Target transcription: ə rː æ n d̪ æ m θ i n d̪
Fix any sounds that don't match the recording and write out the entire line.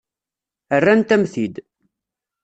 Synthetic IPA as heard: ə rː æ n t̪ æ m θ i d̪